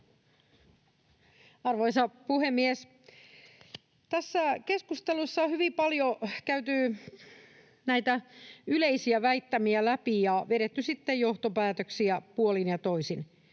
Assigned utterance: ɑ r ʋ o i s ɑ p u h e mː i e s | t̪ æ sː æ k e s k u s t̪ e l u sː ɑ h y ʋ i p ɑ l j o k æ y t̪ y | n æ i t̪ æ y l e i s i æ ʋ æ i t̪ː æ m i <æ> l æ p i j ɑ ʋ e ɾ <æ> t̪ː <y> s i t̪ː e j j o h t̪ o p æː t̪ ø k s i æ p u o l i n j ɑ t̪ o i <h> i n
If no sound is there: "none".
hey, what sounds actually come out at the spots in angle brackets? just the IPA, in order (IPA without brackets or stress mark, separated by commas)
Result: æ, e, y, s